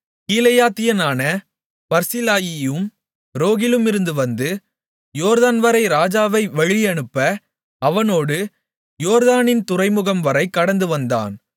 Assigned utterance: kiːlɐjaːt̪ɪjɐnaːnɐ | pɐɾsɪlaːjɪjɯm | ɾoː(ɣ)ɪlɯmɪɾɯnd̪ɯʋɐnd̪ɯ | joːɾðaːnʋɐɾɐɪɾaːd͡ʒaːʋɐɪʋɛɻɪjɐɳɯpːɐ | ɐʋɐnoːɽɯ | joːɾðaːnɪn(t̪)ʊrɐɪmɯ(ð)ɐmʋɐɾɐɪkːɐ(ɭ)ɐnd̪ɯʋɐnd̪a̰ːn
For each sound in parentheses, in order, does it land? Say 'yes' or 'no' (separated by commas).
yes, yes, no, no